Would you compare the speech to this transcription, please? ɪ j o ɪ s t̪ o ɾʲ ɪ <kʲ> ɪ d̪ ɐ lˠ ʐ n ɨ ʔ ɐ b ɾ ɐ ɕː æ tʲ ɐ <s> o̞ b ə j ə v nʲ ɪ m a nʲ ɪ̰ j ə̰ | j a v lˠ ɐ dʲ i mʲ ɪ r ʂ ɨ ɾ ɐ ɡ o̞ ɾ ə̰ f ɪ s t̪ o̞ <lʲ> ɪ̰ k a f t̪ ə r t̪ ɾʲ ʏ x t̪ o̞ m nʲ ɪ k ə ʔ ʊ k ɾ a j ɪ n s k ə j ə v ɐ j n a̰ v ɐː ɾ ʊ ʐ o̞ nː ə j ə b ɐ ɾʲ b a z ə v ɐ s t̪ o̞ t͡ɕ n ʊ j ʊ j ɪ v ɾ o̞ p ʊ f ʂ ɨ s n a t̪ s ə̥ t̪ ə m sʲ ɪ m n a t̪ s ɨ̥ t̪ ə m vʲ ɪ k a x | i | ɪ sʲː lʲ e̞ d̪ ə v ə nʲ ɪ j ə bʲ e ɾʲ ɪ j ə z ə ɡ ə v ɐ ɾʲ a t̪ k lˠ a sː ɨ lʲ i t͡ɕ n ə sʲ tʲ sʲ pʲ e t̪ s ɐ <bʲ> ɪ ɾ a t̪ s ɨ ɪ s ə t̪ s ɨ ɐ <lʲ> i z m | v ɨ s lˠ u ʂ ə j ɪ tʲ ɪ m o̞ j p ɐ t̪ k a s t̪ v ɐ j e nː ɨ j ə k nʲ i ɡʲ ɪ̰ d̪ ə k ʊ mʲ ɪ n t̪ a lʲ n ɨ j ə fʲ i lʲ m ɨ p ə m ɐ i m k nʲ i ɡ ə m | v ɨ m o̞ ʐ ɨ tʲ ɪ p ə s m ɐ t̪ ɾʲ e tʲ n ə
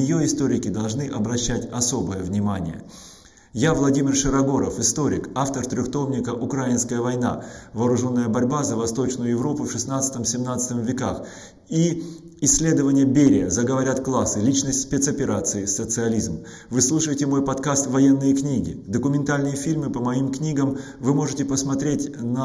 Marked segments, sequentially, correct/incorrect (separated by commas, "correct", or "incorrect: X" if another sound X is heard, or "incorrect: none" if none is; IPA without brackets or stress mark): correct, correct, incorrect: ɾʲ, incorrect: pʲ, correct